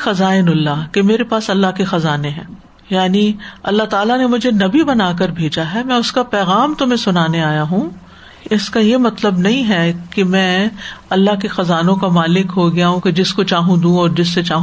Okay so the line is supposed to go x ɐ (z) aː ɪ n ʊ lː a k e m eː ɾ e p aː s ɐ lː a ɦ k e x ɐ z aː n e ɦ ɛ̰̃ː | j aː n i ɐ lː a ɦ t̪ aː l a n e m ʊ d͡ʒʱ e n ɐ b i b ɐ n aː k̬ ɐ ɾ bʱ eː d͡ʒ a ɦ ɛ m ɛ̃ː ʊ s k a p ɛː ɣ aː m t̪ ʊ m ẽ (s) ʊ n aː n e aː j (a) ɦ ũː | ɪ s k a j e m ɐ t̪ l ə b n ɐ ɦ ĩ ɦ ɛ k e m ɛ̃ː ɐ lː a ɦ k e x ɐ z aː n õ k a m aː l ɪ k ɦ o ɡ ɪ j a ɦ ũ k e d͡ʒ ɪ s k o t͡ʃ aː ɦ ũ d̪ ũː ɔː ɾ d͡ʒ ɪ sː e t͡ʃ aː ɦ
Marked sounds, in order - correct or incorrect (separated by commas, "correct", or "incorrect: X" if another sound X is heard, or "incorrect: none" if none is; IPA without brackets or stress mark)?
correct, correct, correct